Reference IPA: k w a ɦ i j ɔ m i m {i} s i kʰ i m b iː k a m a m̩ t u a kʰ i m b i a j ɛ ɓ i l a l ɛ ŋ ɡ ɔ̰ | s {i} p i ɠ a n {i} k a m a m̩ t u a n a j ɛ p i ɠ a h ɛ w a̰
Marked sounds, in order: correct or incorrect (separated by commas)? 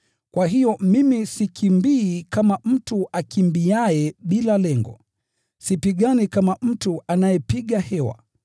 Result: correct, correct, correct